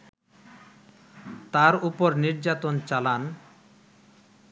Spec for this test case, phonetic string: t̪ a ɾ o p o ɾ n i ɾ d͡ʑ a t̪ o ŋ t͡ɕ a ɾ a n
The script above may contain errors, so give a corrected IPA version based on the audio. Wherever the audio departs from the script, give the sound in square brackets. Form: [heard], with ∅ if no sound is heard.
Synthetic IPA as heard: t̪ a ɾ [u] p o ɾ n i ɾ d͡ʑ a t̪ o [n] t͡ɕ a [l] a n